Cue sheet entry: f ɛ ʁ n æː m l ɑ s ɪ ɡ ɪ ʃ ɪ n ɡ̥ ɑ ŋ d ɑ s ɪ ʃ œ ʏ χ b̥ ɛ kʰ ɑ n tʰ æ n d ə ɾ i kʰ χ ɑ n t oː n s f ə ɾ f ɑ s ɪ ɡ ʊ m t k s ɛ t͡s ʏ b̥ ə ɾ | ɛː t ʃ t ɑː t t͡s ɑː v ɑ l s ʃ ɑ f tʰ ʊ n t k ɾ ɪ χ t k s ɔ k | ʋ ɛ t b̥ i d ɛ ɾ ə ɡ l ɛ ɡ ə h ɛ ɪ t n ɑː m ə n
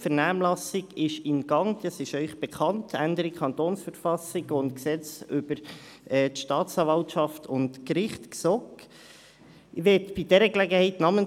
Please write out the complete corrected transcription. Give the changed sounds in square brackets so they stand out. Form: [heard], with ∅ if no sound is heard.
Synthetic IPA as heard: f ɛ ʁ n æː m l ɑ s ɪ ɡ ɪ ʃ ɪ n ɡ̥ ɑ ŋ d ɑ s ɪ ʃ œ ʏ χ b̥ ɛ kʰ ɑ n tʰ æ n d ə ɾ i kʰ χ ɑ n t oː n s f ə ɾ f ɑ s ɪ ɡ ʊ [n] t k s ɛ t͡s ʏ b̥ ə ɾ | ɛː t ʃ t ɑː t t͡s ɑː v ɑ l [t] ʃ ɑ f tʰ ʊ n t k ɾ ɪ χ t k s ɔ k | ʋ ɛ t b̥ i d ɛ ɾ ə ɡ l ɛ ɡ ə h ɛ ɪ t n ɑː m ə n

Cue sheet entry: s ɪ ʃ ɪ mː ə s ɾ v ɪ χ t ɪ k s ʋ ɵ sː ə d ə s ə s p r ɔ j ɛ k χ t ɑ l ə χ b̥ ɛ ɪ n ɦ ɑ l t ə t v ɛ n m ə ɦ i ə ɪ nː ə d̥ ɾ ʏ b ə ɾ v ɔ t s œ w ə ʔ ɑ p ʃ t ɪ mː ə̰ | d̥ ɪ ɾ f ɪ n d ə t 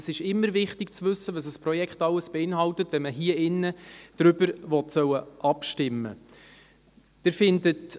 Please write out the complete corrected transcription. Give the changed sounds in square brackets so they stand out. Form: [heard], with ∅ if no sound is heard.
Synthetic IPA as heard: s ɪ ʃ ɪ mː ə [∅] ɾ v ɪ χ t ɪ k [t͡s] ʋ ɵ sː ə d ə s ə s p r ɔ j ɛ k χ t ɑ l ə [s] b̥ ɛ ɪ n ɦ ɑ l t ə t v ɛ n m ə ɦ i ə ɪ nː ə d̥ ɾ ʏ b ə ɾ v ɔ t s œ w ə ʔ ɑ p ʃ t ɪ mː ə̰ | d̥ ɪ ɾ f ɪ n d ə t

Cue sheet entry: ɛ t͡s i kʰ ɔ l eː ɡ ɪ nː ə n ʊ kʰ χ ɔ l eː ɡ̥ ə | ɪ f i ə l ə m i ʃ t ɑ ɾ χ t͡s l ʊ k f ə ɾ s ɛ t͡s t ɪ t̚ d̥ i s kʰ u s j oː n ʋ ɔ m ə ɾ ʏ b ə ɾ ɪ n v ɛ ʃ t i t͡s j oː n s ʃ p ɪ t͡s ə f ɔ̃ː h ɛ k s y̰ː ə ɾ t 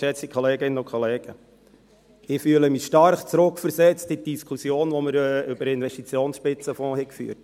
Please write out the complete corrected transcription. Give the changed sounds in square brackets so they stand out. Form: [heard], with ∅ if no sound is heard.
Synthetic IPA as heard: ɛ t͡s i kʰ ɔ l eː ɡ ɪ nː ə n ʊ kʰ χ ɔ l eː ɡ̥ ə | ɪ f [y] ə l ə m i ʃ t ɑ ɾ χ t͡s [ɾ] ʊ k f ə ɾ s ɛ t͡s t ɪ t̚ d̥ i s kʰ u s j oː n ʋ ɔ m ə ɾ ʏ b ə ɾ ɪ n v ɛ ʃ t i t͡s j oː n s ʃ p ɪ t͡s ə f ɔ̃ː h ɛ k [f] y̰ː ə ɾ t

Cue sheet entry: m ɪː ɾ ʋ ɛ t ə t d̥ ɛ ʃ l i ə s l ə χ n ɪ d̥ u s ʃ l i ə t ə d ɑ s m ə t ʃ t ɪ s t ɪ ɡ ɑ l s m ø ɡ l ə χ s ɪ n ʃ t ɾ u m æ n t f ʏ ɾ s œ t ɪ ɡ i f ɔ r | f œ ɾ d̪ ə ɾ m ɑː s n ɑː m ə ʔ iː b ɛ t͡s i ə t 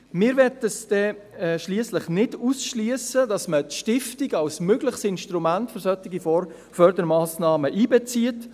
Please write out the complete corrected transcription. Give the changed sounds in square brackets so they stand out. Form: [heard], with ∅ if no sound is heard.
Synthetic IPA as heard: m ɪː ɾ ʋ ɛ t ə [s] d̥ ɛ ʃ l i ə s l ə χ n ɪ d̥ u s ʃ l i ə [s] ə d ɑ s m ə t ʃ t ɪ [f] t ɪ ɡ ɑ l s m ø ɡ l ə χ s ɪ n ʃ t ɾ u m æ n t f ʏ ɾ s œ t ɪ ɡ i f ɔ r | f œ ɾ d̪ ə ɾ m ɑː s n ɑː m ə ʔ iː b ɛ t͡s i ə t

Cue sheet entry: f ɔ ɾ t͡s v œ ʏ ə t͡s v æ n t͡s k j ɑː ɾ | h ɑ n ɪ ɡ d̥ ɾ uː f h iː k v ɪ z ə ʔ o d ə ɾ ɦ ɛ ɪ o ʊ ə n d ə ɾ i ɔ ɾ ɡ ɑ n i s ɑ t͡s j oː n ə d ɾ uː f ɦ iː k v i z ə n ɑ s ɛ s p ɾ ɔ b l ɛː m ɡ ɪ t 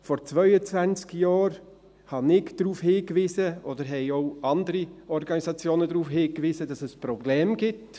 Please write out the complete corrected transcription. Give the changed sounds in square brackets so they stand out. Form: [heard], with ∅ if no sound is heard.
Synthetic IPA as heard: f ɔ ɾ t͡s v œ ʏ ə t͡s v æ n t͡s k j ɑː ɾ | h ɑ n ɪ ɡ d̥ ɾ uː f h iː k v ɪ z ə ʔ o d ə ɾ ɦ ɛ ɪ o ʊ [ɑ] n d ə ɾ i ɔ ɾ ɡ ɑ n i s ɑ t͡s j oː n ə d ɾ uː f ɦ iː k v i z ə [d] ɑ s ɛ s p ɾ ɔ b l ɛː m ɡ ɪ t

